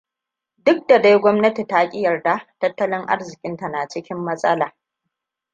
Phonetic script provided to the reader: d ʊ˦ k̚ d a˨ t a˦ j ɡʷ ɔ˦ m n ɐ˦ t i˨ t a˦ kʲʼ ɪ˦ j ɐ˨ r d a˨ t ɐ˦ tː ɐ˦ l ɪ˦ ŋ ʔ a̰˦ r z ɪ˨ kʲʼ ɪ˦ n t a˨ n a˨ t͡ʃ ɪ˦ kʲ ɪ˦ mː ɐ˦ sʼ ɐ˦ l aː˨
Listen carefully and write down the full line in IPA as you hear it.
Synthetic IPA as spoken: d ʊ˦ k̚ d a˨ d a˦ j ɡʷ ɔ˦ m n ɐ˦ t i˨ t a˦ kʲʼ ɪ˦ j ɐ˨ r d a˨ t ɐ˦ tː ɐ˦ l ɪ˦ ŋ ʔ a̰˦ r z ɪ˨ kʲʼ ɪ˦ n t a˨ n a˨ t͡ʃ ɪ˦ kʲ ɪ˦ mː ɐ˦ sʼ ɐ˦ l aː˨